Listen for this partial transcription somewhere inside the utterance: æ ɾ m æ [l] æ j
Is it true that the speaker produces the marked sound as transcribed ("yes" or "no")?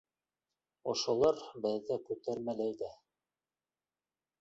yes